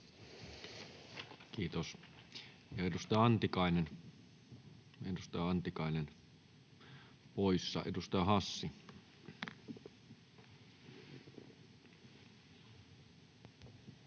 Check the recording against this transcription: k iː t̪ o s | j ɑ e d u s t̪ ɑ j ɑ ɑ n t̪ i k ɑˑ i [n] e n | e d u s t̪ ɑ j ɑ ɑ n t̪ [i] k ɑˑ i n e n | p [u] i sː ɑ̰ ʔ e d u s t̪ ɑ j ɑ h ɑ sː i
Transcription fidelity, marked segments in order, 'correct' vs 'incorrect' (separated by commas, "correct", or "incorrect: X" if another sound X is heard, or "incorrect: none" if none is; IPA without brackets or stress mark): correct, correct, incorrect: o